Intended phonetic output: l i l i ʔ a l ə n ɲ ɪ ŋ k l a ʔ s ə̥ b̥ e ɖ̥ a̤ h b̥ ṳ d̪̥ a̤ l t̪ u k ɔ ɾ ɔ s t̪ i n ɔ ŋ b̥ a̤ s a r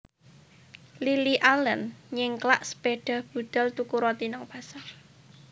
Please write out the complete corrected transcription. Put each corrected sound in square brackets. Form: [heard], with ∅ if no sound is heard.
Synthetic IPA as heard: l i l i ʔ a l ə n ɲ ɪ ŋ k l a ʔ s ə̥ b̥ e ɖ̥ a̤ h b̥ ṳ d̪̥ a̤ l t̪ u k [u] ɾ ɔ [∅] t̪ i n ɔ ŋ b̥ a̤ s a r